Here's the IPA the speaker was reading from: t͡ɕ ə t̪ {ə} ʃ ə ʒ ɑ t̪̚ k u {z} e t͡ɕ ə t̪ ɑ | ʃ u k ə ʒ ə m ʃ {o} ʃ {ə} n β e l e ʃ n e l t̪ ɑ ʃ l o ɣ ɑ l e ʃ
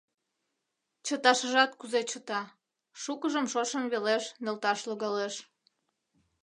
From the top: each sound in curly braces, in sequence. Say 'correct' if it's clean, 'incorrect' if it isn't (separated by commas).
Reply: incorrect, correct, correct, correct